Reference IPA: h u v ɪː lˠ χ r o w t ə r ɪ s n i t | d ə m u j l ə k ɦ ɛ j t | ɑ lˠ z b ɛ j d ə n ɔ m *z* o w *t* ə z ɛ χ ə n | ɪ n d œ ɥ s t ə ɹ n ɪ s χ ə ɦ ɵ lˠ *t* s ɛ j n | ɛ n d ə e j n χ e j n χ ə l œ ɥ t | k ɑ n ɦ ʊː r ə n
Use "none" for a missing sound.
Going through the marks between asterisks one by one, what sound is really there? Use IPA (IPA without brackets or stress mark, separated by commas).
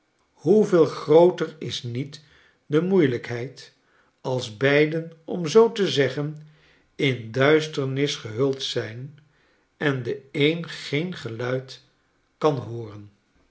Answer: z, t, t